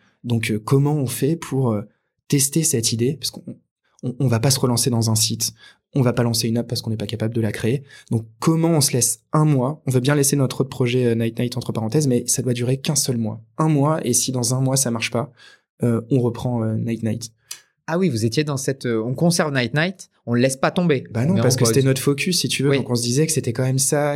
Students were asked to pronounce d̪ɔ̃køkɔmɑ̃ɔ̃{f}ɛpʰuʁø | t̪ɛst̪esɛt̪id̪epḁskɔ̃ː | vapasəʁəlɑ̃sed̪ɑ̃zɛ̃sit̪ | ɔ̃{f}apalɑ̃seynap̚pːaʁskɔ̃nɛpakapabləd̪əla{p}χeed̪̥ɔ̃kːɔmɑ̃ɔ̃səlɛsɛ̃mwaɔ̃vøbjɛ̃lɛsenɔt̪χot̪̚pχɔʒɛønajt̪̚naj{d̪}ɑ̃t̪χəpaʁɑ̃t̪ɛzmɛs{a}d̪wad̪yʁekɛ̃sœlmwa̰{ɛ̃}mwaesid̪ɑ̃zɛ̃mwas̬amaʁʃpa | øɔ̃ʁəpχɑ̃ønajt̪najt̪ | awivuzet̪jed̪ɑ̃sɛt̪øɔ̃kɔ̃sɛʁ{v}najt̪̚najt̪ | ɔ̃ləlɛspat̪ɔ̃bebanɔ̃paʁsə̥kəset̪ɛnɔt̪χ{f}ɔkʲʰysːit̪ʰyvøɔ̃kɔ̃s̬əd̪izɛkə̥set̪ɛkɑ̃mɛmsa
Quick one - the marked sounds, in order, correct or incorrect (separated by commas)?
correct, incorrect, incorrect, incorrect, correct, correct, correct, correct